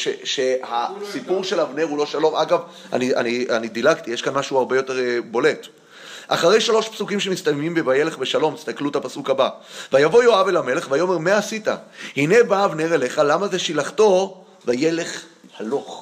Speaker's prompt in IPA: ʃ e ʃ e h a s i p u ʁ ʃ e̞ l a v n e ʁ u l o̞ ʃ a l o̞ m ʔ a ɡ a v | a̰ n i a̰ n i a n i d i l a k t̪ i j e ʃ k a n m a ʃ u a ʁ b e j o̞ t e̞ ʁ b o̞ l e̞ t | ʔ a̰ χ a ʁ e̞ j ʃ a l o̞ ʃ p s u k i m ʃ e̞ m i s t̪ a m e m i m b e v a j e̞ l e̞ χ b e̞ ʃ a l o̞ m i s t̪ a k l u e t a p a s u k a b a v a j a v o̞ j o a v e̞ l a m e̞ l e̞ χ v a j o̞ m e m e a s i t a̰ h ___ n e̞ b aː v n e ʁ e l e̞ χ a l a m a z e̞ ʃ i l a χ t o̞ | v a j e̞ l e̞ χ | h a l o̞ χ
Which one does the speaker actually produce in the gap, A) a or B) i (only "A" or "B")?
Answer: B